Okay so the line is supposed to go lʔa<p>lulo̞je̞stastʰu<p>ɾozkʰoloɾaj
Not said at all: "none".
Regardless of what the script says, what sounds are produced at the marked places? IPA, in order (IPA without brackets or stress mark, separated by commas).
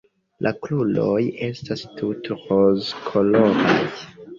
k, t